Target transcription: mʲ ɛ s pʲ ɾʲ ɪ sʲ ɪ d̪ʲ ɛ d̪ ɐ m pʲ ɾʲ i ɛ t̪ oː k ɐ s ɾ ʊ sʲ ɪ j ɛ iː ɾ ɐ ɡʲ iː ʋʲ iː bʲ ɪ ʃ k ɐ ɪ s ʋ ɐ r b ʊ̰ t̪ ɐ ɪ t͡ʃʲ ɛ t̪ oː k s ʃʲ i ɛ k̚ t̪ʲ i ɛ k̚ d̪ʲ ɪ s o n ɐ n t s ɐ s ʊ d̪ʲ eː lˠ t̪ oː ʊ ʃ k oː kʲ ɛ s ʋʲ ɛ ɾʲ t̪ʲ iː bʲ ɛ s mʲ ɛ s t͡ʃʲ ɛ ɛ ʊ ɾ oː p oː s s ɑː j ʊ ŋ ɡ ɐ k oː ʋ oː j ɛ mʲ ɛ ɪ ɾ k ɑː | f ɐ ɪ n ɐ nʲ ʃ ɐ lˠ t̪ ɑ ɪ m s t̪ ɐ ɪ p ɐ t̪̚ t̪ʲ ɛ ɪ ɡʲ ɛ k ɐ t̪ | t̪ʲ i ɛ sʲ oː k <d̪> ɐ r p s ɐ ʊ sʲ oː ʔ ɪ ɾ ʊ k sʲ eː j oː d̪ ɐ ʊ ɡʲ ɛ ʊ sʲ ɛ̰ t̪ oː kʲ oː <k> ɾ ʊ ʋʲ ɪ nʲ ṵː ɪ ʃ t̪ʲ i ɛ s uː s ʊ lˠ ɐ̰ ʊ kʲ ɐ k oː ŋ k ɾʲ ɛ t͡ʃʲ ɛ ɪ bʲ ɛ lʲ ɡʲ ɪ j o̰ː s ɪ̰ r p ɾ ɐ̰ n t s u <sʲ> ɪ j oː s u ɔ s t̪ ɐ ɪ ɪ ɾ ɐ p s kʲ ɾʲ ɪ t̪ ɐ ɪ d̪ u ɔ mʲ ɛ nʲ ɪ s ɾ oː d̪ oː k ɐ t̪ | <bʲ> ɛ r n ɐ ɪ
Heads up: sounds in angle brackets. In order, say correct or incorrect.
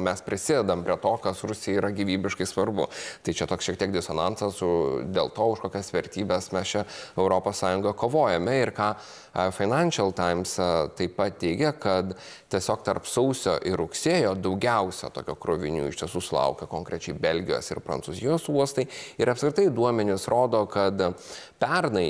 incorrect: t̪, correct, incorrect: zʲ, incorrect: pʲ

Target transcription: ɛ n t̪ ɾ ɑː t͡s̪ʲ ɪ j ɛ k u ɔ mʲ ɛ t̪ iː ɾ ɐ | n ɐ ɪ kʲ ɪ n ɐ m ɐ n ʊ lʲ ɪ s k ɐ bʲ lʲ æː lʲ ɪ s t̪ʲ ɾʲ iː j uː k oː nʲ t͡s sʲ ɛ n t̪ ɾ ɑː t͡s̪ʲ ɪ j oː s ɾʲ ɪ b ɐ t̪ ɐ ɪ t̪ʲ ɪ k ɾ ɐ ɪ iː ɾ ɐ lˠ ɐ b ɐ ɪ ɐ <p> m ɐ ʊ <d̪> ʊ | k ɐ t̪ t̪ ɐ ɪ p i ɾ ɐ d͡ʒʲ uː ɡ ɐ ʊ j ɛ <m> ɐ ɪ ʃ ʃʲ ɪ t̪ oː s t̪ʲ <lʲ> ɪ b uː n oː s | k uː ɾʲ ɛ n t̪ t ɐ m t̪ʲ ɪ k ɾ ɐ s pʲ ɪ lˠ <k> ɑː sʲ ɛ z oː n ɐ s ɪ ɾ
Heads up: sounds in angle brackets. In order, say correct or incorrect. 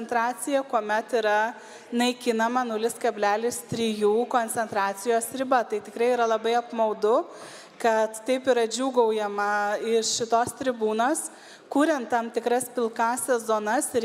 correct, correct, correct, incorrect: ɾʲ, correct

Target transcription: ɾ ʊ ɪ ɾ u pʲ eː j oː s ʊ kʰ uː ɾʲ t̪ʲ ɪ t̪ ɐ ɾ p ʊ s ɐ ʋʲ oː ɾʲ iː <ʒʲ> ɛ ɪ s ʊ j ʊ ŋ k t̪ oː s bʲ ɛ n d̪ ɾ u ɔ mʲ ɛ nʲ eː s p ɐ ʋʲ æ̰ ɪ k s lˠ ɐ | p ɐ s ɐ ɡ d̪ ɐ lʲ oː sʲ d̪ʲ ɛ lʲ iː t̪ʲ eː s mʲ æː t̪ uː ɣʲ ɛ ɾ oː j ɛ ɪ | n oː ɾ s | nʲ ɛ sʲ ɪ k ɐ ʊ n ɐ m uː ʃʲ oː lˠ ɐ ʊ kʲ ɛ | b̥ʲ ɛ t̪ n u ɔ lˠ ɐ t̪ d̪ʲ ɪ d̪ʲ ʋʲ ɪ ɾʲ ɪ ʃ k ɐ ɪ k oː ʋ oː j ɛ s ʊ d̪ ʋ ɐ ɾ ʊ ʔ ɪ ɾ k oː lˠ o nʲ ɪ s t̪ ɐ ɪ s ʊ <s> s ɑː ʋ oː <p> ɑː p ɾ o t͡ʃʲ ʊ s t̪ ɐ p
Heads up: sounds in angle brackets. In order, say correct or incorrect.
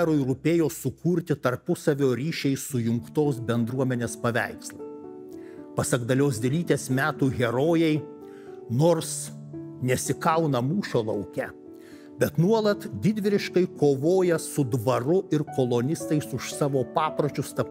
incorrect: ʃʲ, incorrect: ʃ, correct

